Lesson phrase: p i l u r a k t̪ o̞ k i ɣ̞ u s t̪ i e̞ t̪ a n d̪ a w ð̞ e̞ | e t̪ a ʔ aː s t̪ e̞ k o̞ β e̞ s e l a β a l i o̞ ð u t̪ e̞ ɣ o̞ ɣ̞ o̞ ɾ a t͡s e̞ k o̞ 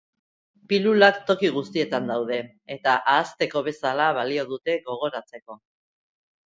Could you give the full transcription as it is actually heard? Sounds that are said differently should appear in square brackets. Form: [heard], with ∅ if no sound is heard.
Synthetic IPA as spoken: p i l u [l] a k t̪ o̞ k i ɣ̞ u s t̪ i e̞ t̪ a n d̪ a w ð̞ e̞ | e t̪ a ʔ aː s t̪ e̞ k o̞ β e̞ s [a] l a β a l i o̞ ð u t̪ e̞ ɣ o̞ ɣ̞ o̞ ɾ a t͡s e̞ k o̞